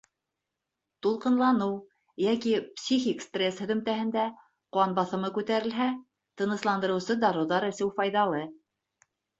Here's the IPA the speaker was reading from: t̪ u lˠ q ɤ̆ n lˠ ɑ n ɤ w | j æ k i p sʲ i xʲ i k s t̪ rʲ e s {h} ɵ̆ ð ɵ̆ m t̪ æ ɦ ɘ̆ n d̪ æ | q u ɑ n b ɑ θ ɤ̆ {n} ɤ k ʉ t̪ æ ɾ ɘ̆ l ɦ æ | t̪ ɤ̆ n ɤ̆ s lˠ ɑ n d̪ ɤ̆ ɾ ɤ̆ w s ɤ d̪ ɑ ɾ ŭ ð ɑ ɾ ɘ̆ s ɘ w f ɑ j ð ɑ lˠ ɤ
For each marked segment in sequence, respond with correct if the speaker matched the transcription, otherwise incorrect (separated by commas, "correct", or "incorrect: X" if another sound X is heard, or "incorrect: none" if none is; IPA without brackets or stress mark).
correct, incorrect: m